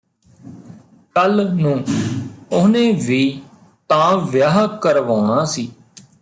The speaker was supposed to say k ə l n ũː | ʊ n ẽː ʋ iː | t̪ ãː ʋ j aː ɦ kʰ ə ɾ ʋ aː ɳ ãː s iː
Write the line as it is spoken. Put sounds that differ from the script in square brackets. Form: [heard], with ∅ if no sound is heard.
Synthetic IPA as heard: k ə l n ũː | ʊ n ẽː ʋ iː | t̪ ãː ʋ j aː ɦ [k] ə ɾ ʋ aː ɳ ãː s iː